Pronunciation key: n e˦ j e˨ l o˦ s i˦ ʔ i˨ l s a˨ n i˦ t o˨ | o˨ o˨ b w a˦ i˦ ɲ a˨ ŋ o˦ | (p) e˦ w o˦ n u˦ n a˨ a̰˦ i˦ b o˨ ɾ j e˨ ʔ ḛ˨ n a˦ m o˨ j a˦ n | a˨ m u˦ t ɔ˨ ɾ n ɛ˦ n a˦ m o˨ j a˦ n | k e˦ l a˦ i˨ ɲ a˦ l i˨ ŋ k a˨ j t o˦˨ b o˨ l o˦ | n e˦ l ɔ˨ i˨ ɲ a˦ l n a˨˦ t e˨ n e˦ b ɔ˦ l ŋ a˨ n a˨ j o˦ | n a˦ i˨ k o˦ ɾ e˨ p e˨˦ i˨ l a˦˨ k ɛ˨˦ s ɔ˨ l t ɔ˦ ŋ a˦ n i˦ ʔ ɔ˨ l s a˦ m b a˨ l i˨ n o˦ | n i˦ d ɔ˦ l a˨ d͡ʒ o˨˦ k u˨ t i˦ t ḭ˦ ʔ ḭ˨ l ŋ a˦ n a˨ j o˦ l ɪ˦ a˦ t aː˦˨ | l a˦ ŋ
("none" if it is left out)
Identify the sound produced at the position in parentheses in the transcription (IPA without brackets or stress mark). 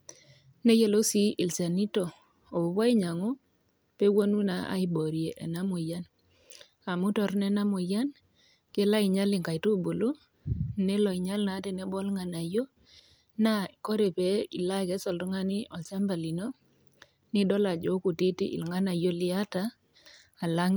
p